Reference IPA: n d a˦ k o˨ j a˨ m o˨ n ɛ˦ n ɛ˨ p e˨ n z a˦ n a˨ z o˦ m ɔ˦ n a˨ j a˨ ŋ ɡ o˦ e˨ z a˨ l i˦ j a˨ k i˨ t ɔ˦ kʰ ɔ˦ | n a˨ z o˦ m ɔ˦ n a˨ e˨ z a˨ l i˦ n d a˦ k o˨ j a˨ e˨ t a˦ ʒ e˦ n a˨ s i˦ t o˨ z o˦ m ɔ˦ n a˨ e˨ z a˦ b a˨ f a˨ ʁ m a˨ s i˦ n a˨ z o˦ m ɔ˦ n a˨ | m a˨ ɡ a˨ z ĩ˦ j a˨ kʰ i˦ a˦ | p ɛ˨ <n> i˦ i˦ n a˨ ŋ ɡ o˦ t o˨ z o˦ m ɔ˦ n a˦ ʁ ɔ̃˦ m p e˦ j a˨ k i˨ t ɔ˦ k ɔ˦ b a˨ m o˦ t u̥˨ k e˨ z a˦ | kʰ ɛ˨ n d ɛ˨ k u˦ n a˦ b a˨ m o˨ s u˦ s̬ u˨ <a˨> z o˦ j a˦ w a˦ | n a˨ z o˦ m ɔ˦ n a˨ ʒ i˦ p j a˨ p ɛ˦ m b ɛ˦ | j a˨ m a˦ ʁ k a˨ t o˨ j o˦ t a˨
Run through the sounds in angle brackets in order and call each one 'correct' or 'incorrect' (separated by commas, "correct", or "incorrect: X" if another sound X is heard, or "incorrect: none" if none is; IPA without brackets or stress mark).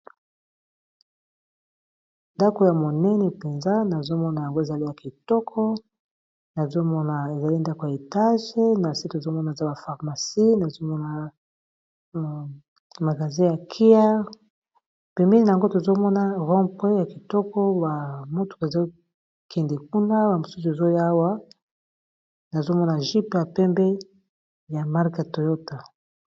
incorrect: m, incorrect: e˨